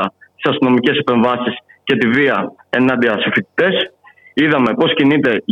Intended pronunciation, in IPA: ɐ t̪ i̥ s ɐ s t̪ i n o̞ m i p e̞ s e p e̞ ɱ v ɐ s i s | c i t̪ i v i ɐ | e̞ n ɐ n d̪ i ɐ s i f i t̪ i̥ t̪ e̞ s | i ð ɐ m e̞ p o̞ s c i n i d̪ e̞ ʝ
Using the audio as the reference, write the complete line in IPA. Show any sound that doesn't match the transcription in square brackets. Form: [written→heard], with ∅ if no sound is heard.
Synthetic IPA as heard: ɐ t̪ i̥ s ɐ s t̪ i n o̞ m i [p→c] e̞ s e p e̞ ɱ v ɐ s i s | c [i→e] t̪ i v i ɐ | e̞ n ɐ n d̪ i ɐ s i f i t̪ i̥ t̪ e̞ s | i ð ɐ m e̞ p o̞ s c i n i [d̪→t̪] e̞ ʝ